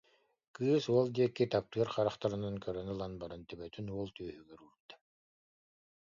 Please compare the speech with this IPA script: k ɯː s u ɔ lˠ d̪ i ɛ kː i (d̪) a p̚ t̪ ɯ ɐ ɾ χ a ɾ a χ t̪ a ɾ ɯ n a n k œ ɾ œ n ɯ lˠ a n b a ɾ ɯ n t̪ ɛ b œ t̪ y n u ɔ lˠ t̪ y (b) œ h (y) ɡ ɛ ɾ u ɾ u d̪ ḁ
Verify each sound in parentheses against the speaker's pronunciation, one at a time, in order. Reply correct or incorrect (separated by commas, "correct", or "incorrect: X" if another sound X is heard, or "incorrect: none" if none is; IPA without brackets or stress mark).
incorrect: t̪, incorrect: none, correct